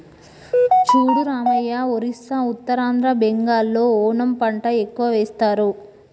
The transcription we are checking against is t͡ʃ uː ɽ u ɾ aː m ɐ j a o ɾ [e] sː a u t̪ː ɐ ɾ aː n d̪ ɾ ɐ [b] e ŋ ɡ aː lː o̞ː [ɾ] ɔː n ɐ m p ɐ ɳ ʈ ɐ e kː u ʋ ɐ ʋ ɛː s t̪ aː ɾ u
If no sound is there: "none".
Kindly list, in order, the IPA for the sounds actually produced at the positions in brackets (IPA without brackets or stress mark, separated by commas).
i, b, none